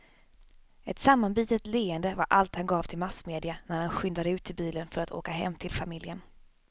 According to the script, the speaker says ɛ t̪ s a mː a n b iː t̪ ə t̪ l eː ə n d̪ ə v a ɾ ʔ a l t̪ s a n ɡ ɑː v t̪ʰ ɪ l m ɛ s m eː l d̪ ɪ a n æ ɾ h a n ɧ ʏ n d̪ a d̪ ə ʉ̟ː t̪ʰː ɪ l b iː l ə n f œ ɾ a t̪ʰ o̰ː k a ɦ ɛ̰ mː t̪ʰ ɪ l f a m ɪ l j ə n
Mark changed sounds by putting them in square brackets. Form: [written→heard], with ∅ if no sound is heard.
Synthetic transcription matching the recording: ɛ t̪ s a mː a n b iː t̪ ə t̪ l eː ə n d̪ ə v a ɾ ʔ a l t̪ [s→h] a n ɡ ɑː v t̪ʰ ɪ l m [ɛ→a] s m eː [l→∅] d̪ ɪ a n æ ɾ h a n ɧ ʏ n d̪ a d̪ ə ʉ̟ː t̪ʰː ɪ l b iː l ə n f œ ɾ a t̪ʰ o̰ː k a ɦ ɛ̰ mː t̪ʰ ɪ l f a m ɪ l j ə n